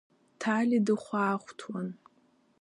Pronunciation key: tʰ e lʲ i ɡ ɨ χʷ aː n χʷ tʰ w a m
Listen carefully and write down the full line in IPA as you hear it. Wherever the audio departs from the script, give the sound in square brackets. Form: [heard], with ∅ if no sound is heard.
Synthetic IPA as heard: tʰ [a] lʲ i [d] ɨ χʷ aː [∅] χʷ tʰ w a [n]